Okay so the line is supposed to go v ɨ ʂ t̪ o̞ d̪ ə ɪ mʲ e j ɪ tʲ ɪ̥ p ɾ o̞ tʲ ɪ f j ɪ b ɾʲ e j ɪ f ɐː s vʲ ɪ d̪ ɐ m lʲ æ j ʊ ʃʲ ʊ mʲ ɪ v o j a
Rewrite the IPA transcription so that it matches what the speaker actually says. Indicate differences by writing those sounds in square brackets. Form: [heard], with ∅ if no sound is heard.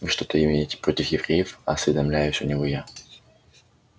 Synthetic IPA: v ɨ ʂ t̪ o̞ [t̪] ə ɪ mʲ e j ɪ tʲ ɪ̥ p ɾ o̞ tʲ ɪ f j ɪ [v] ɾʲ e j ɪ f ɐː s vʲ ɪ d̪ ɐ m lʲ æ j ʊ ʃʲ ʊ [nʲ] ɪ v o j a

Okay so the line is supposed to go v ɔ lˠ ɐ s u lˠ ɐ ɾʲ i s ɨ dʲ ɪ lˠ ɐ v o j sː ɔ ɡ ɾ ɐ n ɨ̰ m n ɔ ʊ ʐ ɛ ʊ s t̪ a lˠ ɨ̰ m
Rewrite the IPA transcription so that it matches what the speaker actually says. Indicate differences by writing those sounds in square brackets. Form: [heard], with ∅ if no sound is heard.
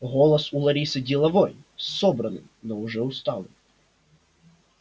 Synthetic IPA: [ɣ] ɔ lˠ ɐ s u lˠ ɐ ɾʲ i s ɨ dʲ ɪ lˠ ɐ v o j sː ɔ [b] ɾ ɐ n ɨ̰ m n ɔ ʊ ʐ ɛ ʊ s t̪ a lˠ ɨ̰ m

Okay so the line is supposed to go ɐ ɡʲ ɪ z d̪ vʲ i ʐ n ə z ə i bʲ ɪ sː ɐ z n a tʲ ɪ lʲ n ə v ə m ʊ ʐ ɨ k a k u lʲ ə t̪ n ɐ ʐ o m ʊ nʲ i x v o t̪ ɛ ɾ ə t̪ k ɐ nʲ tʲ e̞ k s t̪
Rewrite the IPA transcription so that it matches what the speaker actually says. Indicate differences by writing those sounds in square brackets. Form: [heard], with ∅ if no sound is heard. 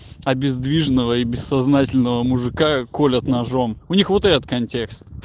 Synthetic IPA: ɐ [bʲ] ɪ z d̪ vʲ i ʐ n ə [v] ə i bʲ ɪ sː ɐ z n a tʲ ɪ lʲ n ə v ə m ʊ ʐ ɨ k a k [o] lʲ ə t̪ n ɐ ʐ o m ʊ nʲ i x v o t̪ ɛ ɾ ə t̪ k ɐ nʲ tʲ e̞ k s t̪

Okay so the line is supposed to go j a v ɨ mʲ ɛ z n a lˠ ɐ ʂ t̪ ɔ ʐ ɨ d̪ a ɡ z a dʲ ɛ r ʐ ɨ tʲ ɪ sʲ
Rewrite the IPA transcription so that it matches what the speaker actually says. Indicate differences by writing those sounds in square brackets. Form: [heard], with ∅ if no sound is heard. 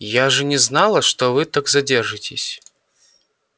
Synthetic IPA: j a [ʐ] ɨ [nʲ] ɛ z n a lˠ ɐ ʂ t̪ ɔ [v] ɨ [t̪] a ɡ z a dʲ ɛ r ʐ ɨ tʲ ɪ sʲ

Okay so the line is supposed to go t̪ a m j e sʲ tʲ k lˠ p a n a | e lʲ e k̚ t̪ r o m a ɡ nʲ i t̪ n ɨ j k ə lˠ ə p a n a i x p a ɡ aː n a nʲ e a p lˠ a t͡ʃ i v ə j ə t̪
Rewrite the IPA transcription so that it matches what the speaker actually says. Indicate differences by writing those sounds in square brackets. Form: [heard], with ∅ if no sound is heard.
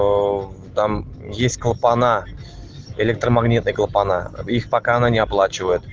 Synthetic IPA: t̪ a m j e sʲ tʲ k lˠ p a n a | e lʲ e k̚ t̪ r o m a ɡ nʲ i t̪ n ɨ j k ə lˠ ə p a n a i x p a [k] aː n a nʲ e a p lˠ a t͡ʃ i v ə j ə t̪

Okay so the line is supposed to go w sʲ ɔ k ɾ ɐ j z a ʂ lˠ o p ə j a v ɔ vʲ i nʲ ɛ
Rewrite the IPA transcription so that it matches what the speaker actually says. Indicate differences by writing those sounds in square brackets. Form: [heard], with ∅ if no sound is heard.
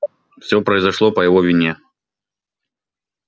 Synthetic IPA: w sʲ ɔ [p] ɾ ɐ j z a ʂ lˠ [ɔ] p [ɐ] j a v ɔ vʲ i nʲ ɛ

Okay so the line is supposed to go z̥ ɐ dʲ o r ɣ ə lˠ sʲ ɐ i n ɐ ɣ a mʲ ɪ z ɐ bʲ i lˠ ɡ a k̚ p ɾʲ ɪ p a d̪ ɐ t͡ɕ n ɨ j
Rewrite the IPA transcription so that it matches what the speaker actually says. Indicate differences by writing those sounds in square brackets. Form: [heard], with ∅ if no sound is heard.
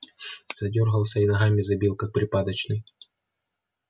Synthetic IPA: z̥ ɐ dʲ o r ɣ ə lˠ sʲ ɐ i n ɐ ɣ a mʲ ɪ z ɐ bʲ i lˠ [k] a k̚ p ɾʲ ɪ p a d̪ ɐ t͡ɕ n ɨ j

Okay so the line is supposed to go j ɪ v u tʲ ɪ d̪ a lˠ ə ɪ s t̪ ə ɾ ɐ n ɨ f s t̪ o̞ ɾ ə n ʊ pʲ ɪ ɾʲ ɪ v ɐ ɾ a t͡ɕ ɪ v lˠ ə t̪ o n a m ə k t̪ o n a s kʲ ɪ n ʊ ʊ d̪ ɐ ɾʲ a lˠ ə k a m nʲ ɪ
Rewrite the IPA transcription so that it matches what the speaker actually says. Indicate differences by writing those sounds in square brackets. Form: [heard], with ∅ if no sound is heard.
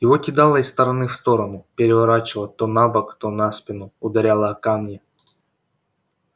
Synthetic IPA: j ɪ v [o] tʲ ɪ d̪ a lˠ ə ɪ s t̪ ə ɾ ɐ n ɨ f s t̪ o̞ ɾ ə n ʊ pʲ ɪ ɾʲ ɪ v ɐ ɾ a t͡ɕ ɪ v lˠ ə t̪ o n a [b] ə k t̪ o n a s [pʲ] ɪ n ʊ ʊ d̪ ɐ ɾʲ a lˠ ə k a m nʲ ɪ

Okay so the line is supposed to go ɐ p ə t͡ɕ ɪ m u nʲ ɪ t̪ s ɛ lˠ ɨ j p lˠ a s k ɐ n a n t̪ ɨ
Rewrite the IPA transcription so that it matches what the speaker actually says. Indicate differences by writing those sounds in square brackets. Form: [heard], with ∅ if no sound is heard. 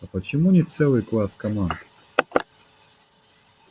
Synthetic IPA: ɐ p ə t͡ɕ ɪ m u nʲ ɪ t̪ s ɛ lˠ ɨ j [k] lˠ a s k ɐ [m] a n [d̪] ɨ

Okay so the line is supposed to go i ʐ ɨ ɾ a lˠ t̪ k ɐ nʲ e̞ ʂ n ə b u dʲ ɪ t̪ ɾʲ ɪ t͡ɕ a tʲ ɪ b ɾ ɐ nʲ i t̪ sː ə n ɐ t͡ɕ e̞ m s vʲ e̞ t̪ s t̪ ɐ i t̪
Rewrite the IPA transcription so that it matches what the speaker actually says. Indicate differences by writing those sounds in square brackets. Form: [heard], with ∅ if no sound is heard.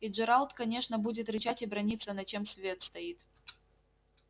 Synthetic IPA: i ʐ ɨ ɾ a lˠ t̪ k ɐ nʲ e̞ ʂ n ə b u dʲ ɪ t̪ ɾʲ ɪ t͡ɕ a tʲ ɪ b ɾ ɐ nʲ i t̪ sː ə n ɐ t͡ɕ e̞ m s vʲ e̞ t̪ s t̪ ɐ i t̪

